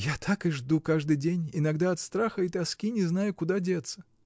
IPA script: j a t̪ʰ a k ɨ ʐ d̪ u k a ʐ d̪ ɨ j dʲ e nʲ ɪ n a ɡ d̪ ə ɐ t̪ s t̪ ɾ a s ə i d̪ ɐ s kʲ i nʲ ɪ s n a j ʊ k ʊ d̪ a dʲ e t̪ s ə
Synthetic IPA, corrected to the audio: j a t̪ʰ a k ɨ ʐ d̪ u k a ʐ d̪ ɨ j dʲ e nʲ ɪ n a ɡ d̪ a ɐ t̪ s t̪ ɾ a x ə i t̪ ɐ s kʲ i nʲ ɪ z n a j ʊ k ʊ d̪ a dʲ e t̪ s ə